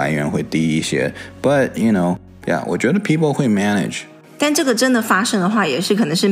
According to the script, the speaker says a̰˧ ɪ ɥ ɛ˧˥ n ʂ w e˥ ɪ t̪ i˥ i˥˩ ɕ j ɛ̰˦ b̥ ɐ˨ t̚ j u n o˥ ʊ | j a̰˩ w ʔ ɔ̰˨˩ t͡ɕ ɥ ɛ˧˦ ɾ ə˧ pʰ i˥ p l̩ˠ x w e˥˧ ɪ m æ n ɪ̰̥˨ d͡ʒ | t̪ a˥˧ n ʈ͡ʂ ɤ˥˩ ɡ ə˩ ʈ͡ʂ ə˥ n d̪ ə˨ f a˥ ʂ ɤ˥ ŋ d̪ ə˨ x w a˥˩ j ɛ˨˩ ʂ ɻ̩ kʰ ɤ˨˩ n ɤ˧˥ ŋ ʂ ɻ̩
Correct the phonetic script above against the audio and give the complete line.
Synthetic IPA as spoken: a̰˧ ɪ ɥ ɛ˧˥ n x w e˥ ɪ t̪ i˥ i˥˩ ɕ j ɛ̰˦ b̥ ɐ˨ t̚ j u n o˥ ʊ | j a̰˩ w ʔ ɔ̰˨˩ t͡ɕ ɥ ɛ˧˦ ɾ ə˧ pʰ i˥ p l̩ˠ x w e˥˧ ɪ m æ n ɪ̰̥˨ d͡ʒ | t̪ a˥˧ n ʈ͡ʂ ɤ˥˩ ɡ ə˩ ʈ͡ʂ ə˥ n d̪ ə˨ f a˥ ʂ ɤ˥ ŋ d̪ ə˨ x w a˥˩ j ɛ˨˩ ʂ ɻ̩ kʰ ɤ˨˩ n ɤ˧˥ ŋ ʂ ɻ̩